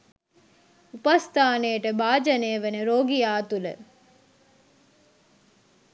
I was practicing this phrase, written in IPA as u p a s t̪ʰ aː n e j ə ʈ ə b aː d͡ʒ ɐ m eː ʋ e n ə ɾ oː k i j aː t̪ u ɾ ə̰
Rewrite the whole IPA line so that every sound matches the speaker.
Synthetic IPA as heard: u p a s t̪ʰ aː n e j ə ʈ ə b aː d͡ʒ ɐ n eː ʋ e n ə ɾ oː ɡ i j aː t̪ u l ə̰